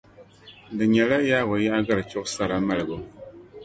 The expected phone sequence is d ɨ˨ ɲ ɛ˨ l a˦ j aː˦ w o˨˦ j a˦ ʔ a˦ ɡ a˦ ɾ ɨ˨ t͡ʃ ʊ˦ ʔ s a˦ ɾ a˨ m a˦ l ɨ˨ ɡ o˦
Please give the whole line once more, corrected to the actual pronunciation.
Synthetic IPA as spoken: d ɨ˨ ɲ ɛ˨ l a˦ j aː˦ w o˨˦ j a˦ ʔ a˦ ɡ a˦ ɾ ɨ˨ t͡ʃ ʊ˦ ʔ s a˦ ɾ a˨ m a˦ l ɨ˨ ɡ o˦